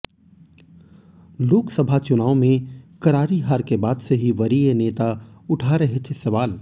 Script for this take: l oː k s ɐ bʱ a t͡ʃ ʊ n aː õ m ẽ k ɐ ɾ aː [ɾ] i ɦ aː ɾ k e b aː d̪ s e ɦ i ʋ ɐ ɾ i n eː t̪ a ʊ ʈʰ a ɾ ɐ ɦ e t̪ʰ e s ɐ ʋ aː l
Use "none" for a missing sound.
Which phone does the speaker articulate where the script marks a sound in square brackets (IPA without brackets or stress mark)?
ɾ